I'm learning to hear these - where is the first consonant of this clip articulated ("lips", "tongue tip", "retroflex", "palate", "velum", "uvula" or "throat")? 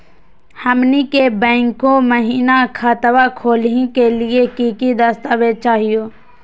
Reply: throat